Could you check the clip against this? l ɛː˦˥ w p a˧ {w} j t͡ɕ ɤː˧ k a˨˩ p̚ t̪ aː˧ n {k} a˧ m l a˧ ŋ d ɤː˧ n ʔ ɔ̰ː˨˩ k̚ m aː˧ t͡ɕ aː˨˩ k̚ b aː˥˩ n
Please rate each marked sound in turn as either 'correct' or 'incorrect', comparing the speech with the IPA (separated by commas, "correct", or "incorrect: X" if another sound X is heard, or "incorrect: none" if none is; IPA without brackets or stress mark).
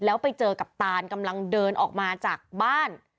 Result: incorrect: none, correct